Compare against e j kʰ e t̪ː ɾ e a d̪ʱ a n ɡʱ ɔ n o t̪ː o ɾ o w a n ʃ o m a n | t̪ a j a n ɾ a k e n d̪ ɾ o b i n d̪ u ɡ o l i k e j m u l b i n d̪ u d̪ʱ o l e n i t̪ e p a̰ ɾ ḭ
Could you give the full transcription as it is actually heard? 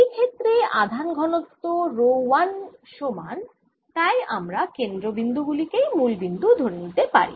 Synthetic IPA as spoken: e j kʰ e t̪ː ɾ e a d̪ʱ a n ɡʱ ɔ n o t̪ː o ɾ o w a n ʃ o m a n | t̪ a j a m ɾ a k e n d̪ ɾ o b i n d̪ u ɡ u l i k e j m u l b i n d̪ u d̪ʱ o ɾ e n i t̪ e p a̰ ɾ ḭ